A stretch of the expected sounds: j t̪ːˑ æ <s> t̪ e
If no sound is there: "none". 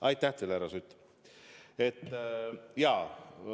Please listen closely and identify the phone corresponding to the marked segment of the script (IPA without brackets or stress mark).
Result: h